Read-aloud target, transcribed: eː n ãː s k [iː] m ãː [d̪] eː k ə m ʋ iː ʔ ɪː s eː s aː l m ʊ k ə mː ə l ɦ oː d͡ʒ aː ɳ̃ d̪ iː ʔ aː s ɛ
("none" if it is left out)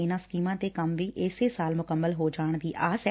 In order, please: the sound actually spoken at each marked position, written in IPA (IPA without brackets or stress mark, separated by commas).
iː, t̪